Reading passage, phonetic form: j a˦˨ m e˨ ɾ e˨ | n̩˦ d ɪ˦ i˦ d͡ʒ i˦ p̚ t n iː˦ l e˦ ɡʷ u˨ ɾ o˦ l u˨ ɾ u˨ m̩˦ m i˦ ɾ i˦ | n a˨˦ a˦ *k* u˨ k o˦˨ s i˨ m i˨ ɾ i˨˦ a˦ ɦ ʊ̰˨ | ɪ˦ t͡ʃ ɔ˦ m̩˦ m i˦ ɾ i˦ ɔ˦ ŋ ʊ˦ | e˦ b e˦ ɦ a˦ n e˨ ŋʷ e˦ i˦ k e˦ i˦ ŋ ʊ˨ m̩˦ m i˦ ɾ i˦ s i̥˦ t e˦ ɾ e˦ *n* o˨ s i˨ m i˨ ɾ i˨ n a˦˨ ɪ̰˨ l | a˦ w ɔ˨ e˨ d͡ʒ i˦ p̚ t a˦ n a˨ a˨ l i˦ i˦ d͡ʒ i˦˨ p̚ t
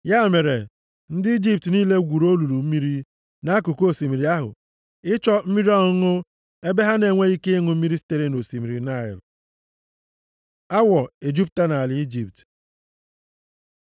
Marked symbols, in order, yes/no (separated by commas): yes, yes